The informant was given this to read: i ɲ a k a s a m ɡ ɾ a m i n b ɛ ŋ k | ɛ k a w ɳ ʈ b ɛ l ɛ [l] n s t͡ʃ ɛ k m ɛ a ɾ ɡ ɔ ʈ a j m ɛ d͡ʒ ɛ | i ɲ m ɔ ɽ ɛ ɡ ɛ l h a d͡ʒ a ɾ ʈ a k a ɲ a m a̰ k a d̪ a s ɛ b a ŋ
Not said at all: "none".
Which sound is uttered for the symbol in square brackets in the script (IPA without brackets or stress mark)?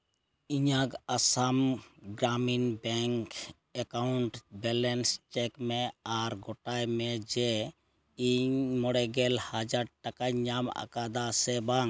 none